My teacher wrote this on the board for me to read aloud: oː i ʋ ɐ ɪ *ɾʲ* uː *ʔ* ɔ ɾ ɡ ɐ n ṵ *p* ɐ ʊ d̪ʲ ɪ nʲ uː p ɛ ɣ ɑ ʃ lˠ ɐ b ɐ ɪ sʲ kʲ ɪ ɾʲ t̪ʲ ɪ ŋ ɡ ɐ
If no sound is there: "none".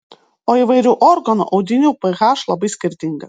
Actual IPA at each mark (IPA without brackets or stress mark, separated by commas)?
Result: ɾʲ, ʔ, ʔ